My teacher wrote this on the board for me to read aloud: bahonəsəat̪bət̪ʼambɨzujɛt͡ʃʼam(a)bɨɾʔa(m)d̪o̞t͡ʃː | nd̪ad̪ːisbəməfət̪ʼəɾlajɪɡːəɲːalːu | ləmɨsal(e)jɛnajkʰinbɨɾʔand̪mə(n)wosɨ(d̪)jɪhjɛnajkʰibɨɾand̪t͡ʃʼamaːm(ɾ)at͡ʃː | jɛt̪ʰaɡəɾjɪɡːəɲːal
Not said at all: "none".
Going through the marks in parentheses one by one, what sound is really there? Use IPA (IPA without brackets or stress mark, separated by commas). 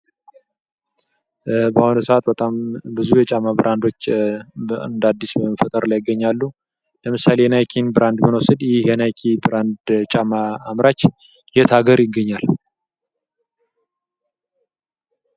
a, n, e, n, d̪, ɾ